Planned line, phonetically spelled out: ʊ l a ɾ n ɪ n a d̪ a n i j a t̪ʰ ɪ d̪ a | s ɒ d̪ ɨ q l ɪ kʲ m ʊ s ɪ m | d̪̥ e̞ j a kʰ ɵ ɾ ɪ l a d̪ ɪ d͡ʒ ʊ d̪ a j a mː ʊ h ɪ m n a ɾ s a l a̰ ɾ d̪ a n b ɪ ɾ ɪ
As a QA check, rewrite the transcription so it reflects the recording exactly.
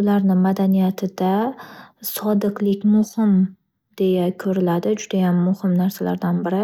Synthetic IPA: ʊ l a ɾ n ɪ m a d̪ a n i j a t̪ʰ ɪ d̪ a | s ɒ d̪ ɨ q l ɪ kʲ m ʊ h ɪ m | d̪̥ e̞ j a kʰ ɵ ɾ ɪ l a d̪ ɪ d͡ʒ ʊ d̪ a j a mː ʊ h ɪ m n a ɾ s a l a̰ ɾ d̪ a n b ɪ ɾ ɪ